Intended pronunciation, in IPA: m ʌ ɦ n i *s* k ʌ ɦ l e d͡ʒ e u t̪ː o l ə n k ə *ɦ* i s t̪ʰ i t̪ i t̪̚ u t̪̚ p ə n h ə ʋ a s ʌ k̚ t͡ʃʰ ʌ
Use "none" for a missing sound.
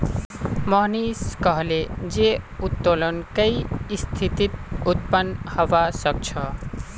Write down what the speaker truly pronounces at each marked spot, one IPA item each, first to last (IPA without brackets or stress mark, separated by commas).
s, none